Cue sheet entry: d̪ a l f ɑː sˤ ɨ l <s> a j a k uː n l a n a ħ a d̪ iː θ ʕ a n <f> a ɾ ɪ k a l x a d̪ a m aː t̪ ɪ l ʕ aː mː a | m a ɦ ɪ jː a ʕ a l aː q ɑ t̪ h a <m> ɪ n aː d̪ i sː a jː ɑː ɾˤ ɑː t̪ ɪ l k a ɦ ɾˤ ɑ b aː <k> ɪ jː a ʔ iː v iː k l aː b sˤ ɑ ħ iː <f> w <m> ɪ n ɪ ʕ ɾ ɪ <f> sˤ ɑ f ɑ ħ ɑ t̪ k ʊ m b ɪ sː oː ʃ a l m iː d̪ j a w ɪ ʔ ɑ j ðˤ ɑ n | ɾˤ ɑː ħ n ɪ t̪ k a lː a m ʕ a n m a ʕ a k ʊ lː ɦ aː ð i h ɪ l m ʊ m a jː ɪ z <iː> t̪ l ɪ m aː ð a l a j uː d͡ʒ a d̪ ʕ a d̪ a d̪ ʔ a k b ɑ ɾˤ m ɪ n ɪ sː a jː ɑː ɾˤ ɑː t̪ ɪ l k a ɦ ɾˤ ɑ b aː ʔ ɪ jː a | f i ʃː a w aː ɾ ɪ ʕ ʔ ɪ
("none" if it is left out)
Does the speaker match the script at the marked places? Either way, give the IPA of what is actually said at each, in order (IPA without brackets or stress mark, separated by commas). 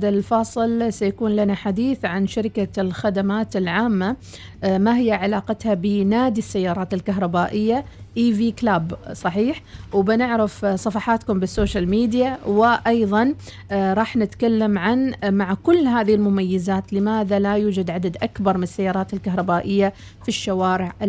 s, ʃ, b, ʔ, ħ, b, f, aː